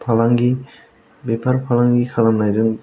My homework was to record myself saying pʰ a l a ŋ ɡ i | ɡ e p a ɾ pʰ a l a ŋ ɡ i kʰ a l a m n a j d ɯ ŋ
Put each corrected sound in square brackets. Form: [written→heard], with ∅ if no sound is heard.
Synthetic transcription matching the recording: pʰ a l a ŋ ɡ i | [ɡ→b] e p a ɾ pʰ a l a ŋ ɡ i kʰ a l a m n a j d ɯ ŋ